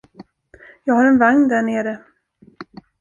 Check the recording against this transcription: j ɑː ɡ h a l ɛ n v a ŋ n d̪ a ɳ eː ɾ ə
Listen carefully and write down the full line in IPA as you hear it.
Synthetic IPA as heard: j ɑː ɡ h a ɾ ɛ n v a ŋ n d̪ æ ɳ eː ɾ ə